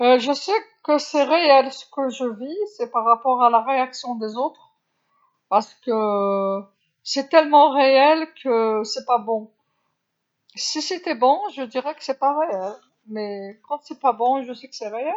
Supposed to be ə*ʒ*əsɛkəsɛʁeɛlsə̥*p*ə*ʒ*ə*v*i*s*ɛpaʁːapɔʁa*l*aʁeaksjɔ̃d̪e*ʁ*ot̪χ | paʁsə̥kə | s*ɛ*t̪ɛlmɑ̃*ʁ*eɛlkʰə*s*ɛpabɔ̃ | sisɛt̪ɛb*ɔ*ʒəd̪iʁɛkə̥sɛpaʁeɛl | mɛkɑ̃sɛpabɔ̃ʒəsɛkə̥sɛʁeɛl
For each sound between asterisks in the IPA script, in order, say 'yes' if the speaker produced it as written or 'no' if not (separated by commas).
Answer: yes, no, yes, yes, yes, yes, no, yes, yes, yes, no